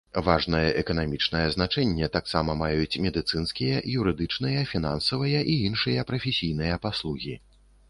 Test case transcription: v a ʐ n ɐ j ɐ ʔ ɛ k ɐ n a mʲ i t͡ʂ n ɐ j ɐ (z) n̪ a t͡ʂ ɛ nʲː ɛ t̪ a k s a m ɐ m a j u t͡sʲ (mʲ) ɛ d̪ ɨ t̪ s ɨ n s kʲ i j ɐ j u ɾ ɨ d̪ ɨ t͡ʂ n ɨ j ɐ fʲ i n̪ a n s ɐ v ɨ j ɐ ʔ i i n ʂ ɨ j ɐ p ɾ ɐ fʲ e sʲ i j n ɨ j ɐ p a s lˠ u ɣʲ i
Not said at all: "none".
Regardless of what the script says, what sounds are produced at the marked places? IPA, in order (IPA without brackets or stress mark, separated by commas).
z, mʲ